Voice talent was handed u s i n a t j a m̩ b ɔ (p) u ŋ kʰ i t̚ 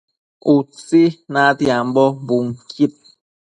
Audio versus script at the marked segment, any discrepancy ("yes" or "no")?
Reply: yes